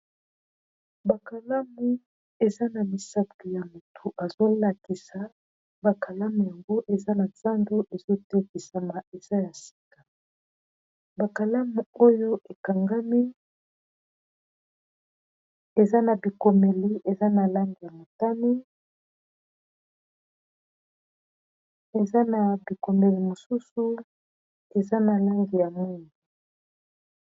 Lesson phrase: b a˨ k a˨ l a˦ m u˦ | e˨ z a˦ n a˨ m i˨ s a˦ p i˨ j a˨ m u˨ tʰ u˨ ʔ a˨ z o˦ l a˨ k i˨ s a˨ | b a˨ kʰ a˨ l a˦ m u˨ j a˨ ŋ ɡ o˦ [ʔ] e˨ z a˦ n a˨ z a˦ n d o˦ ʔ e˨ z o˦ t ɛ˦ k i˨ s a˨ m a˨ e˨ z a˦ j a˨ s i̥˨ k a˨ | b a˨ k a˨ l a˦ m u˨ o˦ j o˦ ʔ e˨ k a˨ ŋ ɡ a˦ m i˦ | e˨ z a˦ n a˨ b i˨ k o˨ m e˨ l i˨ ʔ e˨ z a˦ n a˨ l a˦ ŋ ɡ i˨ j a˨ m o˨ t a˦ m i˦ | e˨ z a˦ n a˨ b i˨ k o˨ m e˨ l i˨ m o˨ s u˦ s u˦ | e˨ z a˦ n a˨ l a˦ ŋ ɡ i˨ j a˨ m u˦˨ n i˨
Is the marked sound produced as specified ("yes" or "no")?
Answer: yes